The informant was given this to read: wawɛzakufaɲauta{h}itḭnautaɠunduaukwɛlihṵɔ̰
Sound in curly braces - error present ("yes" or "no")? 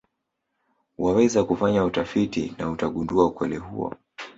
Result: yes